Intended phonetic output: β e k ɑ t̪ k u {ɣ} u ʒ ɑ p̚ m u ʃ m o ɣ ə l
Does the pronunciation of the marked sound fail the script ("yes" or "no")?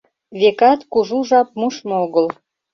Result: yes